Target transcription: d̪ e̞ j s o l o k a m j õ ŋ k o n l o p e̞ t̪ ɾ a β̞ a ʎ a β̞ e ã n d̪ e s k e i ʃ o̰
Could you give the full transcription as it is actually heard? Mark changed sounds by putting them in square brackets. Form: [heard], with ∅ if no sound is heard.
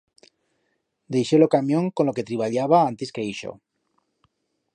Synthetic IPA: d̪ e̞ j [ʃ] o l o k a m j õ ŋ k o n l o [k] e̞ t̪ ɾ [i] β̞ a ʎ a β̞ [a] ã n [t̪] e s k e i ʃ o̰